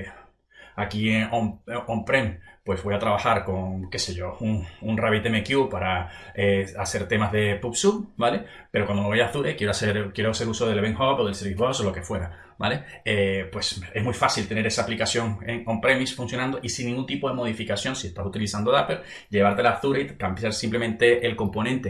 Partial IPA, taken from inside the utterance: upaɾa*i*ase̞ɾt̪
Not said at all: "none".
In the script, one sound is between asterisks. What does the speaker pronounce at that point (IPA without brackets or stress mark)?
e